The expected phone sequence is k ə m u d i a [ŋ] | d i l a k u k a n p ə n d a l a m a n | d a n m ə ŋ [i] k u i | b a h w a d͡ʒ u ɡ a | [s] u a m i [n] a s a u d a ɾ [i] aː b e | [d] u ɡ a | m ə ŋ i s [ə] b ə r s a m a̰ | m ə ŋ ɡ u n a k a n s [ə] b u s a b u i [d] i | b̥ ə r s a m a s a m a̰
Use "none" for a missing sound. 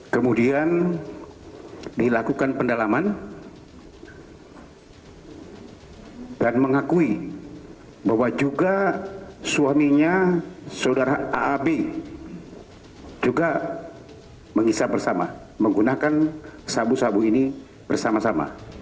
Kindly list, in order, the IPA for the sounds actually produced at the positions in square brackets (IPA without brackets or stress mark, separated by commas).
n, a, s, ɲ, a, d͡ʒ, a, a, n